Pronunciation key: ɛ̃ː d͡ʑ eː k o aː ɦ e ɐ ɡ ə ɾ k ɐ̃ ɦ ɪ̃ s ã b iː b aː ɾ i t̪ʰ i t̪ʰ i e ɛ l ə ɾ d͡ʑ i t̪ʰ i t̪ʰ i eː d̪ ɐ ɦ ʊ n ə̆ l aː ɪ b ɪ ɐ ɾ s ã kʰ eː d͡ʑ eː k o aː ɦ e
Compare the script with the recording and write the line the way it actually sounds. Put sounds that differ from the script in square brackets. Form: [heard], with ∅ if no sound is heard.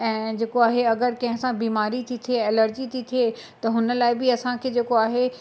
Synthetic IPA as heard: ɛ̃ː d͡ʑ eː k o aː ɦ e ɐ ɡ ə ɾ k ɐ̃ ɦ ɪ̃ s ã b iː [m] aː ɾ i t̪ʰ i t̪ʰ i e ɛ l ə ɾ d͡ʑ i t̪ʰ i t̪ʰ i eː [t̪] ɐ ɦ ʊ n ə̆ l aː ɪ b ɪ ɐ [∅] s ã kʰ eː d͡ʑ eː k o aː ɦ e

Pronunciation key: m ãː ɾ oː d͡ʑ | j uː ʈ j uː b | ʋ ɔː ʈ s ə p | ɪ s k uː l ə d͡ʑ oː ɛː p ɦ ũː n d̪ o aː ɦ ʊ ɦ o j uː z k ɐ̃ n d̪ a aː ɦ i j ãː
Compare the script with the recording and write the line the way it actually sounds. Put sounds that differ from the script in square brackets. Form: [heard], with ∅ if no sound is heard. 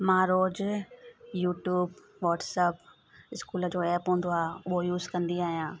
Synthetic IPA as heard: m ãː ɾ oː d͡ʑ | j uː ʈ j uː b | ʋ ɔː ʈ s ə p | ɪ s k uː l ə d͡ʑ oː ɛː p ɦ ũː n d̪ o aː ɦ ʊ ɦ o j uː z k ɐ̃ n d̪ [i] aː ɦ i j ãː

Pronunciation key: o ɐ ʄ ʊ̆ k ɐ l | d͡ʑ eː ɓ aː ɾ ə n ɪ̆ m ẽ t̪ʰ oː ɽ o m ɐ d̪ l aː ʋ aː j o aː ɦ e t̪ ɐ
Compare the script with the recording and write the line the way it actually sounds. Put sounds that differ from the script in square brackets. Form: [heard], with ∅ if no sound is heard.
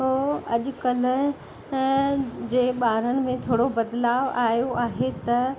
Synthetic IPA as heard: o ɐ ʄ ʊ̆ k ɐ l | d͡ʑ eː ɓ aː ɾ ə n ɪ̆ m ẽ t̪ʰ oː ɽ o [b] ɐ d̪ l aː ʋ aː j o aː ɦ e t̪ ɐ

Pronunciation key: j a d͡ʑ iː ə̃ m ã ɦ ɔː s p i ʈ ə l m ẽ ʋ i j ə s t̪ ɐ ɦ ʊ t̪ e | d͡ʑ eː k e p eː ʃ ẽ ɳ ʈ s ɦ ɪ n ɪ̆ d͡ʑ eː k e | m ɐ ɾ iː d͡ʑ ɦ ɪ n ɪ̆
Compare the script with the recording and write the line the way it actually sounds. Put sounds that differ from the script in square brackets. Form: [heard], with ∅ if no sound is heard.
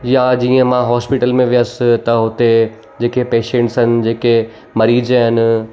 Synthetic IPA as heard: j a d͡ʑ iː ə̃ m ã ɦ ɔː s p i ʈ ə l m ẽ ʋ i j ə s t̪ ɐ ɦ ʊ t̪ e | d͡ʑ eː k e p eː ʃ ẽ ɳ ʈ s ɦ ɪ n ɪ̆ d͡ʑ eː k e | m ɐ ɾ iː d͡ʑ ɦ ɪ n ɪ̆

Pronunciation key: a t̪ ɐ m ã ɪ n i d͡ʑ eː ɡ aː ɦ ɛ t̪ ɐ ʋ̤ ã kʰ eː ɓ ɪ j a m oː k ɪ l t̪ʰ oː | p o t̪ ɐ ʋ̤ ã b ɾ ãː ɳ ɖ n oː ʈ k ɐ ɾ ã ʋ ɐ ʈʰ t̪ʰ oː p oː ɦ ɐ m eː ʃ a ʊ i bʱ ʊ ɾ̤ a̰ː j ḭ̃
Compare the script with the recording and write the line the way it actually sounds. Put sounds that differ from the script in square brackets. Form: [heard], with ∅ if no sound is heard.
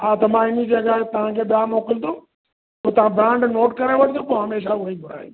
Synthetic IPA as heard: a t̪ ɐ m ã ɪ n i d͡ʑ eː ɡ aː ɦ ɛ t̪ ɐ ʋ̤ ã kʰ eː ɓ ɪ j a m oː k ɪ l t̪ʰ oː | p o t̪ ɐ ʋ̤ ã b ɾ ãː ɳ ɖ n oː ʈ k ɐ ɾ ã ʋ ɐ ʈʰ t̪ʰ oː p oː ɦ ɐ m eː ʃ a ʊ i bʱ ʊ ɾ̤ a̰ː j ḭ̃

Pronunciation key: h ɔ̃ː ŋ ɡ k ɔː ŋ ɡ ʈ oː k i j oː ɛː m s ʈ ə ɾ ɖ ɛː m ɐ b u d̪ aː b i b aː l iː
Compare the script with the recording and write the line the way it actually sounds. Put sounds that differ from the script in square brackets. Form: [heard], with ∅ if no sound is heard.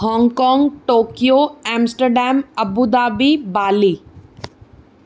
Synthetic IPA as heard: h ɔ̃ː ŋ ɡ k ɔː ŋ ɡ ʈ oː k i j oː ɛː m s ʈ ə ɾ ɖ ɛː m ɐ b u d̪ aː b i b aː l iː

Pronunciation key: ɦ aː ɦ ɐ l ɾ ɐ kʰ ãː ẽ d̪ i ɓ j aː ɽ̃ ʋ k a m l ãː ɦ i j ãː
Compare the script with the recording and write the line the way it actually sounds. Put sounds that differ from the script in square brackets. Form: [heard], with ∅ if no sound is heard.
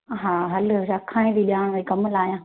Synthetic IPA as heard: ɦ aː ɦ ɐ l ɾ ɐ kʰ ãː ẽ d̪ i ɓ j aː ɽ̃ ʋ k [ɐ] m l [aː] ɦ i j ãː

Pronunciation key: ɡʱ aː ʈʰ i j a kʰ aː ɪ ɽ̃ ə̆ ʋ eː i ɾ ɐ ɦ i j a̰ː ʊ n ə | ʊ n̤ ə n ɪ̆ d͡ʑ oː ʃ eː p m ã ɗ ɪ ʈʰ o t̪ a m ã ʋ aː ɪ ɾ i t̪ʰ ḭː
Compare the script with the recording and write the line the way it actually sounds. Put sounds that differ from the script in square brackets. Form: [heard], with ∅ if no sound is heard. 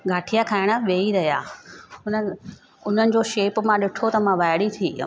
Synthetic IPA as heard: ɡʱ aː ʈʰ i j a kʰ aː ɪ ɽ̃ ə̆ ʋ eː i ɾ ɐ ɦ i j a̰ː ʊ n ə | ʊ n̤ ə n ɪ̆ d͡ʑ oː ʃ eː p m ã ɗ ɪ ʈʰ o t̪ [ɐ] m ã ʋ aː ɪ [ɽ] i t̪ʰ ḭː

